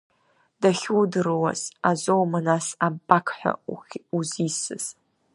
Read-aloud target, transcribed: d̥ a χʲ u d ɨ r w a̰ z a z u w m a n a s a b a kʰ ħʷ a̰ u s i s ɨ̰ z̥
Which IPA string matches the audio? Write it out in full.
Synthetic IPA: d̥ a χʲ u d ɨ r w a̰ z a z o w m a n a s a b a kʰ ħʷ a̰ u z i s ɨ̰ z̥